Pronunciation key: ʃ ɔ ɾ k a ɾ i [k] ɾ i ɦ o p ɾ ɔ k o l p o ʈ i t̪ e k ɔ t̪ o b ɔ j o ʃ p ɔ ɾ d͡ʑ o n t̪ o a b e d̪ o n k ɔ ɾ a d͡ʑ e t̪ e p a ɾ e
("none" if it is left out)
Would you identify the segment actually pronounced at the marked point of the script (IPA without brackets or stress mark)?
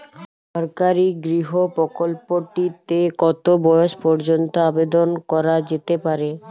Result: ɡ